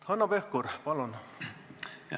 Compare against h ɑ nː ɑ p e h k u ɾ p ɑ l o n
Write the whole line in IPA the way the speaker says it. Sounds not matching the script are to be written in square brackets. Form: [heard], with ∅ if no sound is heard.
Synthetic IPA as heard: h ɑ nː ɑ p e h k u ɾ p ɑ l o n